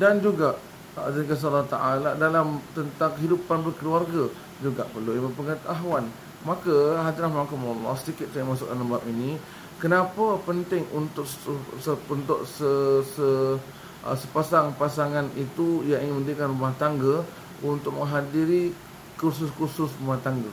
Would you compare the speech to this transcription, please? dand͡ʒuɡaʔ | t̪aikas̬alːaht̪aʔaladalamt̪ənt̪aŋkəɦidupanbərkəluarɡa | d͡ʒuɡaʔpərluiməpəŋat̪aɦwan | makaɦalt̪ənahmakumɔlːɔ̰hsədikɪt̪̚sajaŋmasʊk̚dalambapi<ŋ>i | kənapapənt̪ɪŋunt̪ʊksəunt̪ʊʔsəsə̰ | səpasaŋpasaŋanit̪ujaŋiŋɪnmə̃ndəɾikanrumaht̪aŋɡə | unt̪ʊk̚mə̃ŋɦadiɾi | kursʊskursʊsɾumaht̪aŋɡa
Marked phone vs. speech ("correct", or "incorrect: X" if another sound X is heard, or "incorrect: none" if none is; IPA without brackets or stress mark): incorrect: n